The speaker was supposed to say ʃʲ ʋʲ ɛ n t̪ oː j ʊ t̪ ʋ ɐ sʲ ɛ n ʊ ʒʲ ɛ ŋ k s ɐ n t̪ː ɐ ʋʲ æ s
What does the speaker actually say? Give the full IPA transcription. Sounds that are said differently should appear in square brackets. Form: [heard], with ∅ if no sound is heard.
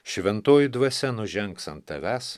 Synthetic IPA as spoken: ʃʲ ʋʲ ɛ n t̪ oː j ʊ [d̪] ʋ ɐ sʲ ɛ n ʊ ʒʲ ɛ ŋ k s ɐ n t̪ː ɐ ʋʲ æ s

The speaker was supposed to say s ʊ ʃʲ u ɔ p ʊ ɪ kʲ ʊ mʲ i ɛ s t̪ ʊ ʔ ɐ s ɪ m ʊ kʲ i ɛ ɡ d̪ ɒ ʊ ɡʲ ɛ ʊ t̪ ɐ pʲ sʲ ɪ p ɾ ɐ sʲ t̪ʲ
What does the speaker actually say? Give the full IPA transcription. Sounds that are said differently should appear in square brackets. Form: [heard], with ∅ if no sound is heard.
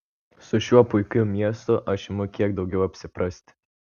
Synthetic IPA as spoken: s ʊ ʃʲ u ɔ p ʊ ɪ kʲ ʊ mʲ i ɛ s t̪ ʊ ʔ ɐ [ʃ] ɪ m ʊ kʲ i ɛ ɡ d̪ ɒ ʊ ɡʲ ɛ ʊ [∅] ɐ pʲ sʲ ɪ p ɾ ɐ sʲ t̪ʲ

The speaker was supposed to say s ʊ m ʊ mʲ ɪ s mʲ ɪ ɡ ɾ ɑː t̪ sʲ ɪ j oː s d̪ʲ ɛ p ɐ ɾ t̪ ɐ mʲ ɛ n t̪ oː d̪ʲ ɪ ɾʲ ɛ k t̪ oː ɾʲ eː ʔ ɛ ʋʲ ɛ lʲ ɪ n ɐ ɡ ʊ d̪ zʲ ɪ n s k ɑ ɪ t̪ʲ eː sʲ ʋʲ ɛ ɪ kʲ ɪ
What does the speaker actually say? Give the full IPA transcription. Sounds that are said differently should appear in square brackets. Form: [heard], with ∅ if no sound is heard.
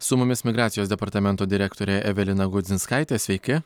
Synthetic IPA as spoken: s ʊ m ʊ mʲ ɪ s mʲ ɪ ɡ ɾ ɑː t̪ sʲ ɪ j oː s d̪ʲ ɛ p ɐ ɾ t̪ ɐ mʲ ɛ n t̪ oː d̪ʲ ɪ ɾʲ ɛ k t̪ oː ɾʲ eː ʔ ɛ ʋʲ ɛ lʲ ɪ n ɐ ɡ ʊ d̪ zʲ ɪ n s k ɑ ɪ t̪ʲ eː sʲ ʋʲ ɛ ɪ kʲ ɪ

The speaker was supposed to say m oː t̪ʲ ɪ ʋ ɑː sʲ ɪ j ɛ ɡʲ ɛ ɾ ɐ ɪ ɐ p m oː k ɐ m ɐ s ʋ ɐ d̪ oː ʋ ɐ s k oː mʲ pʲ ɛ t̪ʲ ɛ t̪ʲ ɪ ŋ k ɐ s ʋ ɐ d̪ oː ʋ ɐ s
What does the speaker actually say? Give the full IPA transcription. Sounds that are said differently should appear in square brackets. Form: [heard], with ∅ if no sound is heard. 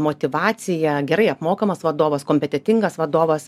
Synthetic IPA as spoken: m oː t̪ʲ ɪ ʋ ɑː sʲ ɪ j ɛ ɡʲ ɛ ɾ ɐ ɪ ɐ p m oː k ɐ m ɐ s ʋ ɐ d̪ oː ʋ ɐ s k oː mʲ pʲ ɛ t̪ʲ ɛ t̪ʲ ɪ ŋ [ɡ] ɐ s ʋ ɐ d̪ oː ʋ ɐ s

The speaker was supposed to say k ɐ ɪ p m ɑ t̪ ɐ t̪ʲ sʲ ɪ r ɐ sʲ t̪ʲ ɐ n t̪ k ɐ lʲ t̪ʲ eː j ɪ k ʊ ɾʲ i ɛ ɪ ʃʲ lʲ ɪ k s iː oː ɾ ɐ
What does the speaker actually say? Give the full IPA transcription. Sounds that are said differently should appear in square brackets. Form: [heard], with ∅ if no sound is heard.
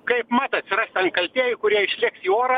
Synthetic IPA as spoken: k ɐ ɪ p m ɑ t̪ ɐ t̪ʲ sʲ ɪ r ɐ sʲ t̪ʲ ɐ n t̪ k ɐ lʲ t̪ʲ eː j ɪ k ʊ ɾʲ i ɛ ɪ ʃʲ lʲ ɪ k s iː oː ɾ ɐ

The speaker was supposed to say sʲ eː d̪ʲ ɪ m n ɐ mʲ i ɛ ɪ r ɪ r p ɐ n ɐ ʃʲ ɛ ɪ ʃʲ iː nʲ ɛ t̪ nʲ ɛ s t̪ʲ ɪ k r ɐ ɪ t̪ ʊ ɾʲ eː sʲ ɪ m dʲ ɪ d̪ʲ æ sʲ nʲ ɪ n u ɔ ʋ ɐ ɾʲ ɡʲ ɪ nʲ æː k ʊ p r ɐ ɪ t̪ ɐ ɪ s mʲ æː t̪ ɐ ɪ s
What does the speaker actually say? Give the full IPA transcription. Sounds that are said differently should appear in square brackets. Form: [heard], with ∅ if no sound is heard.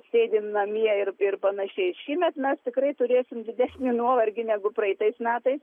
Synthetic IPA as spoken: sʲ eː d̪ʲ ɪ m n ɐ mʲ i ɛ ɪ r ɪ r p ɐ n ɐ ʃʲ ɛ ɪ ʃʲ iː [mʲ] ɛ t̪ [mʲ] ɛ s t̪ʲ ɪ k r ɐ ɪ t̪ ʊ ɾʲ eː sʲ ɪ m dʲ ɪ d̪ʲ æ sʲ nʲ ɪ n u ɔ ʋ ɐ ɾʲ ɡʲ ɪ nʲ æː [ɡ] ʊ p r ɐ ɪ t̪ ɐ ɪ s mʲ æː t̪ ɐ ɪ s

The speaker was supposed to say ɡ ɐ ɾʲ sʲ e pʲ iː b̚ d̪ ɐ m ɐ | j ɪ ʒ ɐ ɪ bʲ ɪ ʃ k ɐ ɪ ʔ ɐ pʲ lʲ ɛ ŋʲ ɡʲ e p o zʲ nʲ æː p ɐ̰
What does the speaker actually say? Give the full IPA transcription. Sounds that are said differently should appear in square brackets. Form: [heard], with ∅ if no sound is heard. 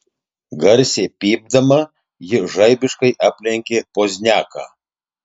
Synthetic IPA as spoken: ɡ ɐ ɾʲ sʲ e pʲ iː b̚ d̪ ɐ m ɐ | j ɪ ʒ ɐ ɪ bʲ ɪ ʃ k ɐ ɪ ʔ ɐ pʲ lʲ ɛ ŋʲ [kʲ] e p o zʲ nʲ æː [k] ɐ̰

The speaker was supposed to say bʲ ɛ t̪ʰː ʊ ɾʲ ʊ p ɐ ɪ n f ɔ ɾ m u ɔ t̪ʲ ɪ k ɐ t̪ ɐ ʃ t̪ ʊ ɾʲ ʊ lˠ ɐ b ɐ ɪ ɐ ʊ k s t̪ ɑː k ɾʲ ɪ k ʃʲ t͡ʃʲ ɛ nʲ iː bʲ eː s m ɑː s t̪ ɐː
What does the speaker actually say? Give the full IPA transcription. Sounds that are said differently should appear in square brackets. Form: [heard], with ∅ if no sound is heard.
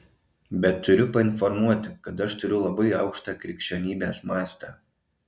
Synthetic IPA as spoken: bʲ ɛ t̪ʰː ʊ ɾʲ ʊ p ɐ ɪ n f ɔ ɾ m u ɔ t̪ʲ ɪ k ɐ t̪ ɐ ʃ t̪ ʊ ɾʲ ʊ lˠ ɐ b ɐ ɪ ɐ ʊ k [ʃ] t̪ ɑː k ɾʲ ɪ k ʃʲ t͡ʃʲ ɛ nʲ iː bʲ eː s m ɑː s t̪ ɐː

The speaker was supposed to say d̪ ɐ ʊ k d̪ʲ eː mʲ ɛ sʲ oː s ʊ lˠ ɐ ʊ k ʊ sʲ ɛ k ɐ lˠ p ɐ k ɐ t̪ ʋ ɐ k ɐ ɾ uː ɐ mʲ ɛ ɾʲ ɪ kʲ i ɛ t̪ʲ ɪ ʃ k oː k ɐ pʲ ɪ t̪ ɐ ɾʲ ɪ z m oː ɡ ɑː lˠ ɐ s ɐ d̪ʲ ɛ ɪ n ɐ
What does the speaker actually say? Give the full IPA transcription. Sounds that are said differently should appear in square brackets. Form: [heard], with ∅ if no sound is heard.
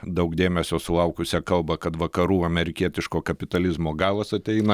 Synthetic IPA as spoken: d̪ ɐ ʊ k d̪ʲ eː mʲ ɛ sʲ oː s ʊ lˠ ɐ ʊ k ʊ sʲ ɛ k ɐ lˠ [b] ɐ k ɐ t̪ ʋ ɐ k ɐ ɾ uː ɐ mʲ ɛ ɾʲ ɪ kʲ i ɛ t̪ʲ ɪ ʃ k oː k ɐ pʲ ɪ t̪ ɐ [lʲ] ɪ z m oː ɡ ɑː lˠ ɐ s ɐ [t̪ʲ] ɛ ɪ n ɐ

